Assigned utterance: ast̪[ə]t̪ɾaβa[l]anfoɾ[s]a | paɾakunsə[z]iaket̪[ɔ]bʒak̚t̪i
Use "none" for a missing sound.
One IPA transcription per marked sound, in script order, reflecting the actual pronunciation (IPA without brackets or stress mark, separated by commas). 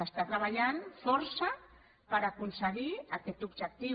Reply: a, ʎ, s, ɣ, u